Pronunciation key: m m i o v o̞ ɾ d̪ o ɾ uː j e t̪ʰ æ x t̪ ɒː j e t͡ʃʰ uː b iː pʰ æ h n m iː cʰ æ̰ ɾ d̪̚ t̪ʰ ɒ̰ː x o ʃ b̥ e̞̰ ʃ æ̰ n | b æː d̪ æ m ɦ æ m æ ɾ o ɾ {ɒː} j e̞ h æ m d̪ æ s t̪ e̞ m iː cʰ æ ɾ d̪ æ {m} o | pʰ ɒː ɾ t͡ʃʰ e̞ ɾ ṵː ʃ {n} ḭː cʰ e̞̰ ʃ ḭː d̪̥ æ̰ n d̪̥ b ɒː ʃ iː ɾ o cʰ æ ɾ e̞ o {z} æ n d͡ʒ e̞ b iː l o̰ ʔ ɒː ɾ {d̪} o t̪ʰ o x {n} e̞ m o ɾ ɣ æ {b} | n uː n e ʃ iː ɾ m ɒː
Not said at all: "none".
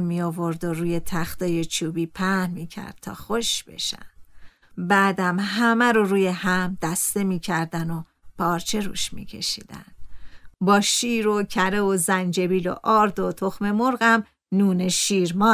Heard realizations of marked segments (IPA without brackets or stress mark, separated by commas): uː, n, m, z, d̪, m, m